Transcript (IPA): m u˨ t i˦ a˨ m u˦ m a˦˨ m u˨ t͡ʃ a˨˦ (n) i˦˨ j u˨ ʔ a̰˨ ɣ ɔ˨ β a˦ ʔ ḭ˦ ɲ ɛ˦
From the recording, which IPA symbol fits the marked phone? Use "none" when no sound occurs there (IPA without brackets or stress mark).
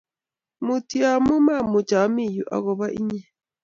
m